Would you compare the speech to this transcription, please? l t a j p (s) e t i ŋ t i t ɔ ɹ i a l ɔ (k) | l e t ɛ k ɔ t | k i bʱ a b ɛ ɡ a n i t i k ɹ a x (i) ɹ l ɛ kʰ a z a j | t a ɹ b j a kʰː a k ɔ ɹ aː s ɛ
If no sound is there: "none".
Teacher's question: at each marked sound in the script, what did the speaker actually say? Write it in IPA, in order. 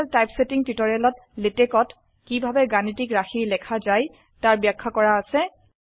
s, t, i

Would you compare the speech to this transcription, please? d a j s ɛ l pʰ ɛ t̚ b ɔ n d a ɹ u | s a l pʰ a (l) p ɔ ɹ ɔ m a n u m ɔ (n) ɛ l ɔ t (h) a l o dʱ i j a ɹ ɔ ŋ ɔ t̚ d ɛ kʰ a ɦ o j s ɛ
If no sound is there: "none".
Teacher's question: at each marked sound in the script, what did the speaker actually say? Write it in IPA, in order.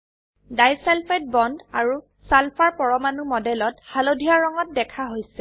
ɹ, d, h

